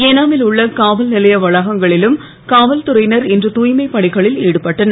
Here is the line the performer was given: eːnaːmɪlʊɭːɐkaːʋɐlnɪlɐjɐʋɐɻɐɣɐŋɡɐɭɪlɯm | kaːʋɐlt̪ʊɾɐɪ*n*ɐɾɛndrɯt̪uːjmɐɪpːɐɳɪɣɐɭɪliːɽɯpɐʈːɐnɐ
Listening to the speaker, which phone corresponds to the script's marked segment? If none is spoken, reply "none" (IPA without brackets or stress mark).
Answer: n